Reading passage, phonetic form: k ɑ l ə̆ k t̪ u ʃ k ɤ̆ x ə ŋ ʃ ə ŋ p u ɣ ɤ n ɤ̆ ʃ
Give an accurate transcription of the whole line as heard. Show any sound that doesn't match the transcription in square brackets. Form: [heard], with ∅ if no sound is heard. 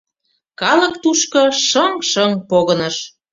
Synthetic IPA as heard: k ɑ l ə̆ k t̪ u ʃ k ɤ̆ [ʃ] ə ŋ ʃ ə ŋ p [o] ɣ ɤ n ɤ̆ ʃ